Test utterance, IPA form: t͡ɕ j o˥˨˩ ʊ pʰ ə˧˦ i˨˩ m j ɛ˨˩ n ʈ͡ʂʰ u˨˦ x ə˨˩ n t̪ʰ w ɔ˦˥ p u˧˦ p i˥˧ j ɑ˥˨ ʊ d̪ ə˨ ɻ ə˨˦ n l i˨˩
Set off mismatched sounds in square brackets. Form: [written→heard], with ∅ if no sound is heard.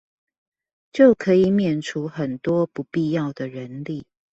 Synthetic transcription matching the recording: t͡ɕ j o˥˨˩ ʊ [pʰ→kʰ] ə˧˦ i˨˩ m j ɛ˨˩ n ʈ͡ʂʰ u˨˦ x ə˨˩ n [t̪ʰ→t̪] w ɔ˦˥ p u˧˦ p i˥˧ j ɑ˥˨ ʊ d̪ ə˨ ɻ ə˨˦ n l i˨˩